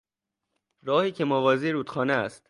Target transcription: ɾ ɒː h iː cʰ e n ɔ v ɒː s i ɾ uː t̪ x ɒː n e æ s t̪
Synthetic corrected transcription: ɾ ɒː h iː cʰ e m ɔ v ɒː z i ɾ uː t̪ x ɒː n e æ s t̪